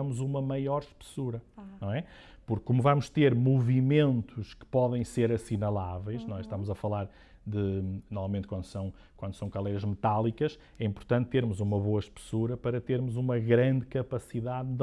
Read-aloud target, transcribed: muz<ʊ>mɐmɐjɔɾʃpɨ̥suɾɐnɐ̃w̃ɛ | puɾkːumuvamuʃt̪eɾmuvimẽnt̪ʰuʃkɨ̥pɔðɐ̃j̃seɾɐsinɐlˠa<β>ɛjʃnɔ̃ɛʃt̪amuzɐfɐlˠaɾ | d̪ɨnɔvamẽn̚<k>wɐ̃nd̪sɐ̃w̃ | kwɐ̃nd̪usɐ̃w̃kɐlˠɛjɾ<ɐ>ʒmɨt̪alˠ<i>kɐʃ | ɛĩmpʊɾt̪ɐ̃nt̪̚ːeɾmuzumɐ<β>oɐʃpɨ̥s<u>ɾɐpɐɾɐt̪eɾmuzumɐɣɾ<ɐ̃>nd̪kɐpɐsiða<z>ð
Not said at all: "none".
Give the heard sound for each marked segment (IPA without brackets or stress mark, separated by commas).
u, v, k, ɐ, i, β, u, ɐ̃, ð